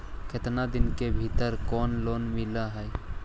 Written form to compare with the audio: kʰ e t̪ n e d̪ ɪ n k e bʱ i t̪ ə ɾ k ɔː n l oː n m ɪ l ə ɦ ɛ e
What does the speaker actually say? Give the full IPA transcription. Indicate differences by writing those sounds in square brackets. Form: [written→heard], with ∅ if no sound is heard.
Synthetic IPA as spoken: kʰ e t̪ n [e→a] d̪ ɪ n k e bʱ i t̪ ə ɾ k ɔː n l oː n m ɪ l [ə→a] ɦ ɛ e